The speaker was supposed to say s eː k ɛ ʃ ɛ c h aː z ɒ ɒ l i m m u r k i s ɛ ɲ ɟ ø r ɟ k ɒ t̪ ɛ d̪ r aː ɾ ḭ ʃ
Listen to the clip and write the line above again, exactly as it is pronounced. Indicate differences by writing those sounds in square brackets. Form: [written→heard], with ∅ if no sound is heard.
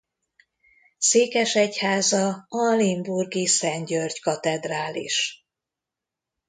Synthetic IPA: s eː k ɛ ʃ ɛ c h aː z ɒ ɒ l i m [m→b] u r [k→ɡ] i s ɛ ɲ ɟ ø r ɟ k ɒ t̪ ɛ d̪ r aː [ɾ→l] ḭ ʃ